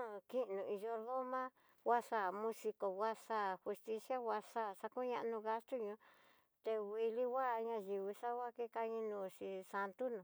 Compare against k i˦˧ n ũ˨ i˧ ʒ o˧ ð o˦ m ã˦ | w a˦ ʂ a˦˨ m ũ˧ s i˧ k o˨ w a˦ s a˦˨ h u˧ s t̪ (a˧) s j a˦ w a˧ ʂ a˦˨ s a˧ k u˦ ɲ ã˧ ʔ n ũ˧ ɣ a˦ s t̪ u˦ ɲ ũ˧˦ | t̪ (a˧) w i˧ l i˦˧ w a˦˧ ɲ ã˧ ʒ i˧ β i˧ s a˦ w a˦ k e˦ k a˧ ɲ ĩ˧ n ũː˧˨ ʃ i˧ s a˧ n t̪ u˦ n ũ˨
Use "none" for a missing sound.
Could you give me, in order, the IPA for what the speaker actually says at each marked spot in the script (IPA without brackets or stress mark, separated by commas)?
i˧, e˧